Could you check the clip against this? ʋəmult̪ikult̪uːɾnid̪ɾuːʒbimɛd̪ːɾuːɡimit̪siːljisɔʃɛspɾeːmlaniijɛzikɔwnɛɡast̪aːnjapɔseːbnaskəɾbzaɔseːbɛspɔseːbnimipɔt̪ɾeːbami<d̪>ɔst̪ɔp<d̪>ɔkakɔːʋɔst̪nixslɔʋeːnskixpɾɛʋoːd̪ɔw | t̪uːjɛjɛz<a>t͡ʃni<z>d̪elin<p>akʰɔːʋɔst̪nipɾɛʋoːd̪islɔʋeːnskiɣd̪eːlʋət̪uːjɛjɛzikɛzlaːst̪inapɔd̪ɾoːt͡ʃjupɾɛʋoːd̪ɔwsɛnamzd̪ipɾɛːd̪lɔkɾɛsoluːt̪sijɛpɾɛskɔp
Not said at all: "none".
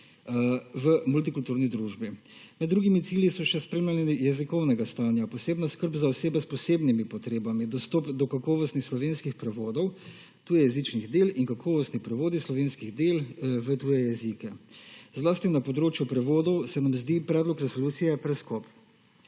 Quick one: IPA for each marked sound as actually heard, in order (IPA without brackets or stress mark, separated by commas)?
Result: d̪, d̪, i, ɣ, k